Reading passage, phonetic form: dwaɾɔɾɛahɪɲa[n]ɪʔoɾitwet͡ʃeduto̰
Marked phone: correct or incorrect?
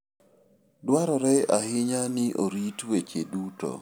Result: correct